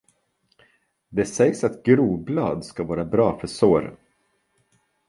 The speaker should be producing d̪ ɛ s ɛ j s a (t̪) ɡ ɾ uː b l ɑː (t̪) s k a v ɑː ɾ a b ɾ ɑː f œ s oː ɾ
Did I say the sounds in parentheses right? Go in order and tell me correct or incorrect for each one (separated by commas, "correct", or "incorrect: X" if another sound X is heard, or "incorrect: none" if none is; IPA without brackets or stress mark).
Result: correct, incorrect: d̪